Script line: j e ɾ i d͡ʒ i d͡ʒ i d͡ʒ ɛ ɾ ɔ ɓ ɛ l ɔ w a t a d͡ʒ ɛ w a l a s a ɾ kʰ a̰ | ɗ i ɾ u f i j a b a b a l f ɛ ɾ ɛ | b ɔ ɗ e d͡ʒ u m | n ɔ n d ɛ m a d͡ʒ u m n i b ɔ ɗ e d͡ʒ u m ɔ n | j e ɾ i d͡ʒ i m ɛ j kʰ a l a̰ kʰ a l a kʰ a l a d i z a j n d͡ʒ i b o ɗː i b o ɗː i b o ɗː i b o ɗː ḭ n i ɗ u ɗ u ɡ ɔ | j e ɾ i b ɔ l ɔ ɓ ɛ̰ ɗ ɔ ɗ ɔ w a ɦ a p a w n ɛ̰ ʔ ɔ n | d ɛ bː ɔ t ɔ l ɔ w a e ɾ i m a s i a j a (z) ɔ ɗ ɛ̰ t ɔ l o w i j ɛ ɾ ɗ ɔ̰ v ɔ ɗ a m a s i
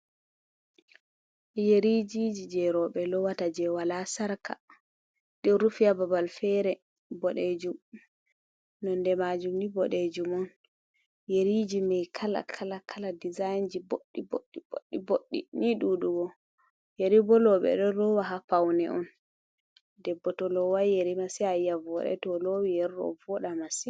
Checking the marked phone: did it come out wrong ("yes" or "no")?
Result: yes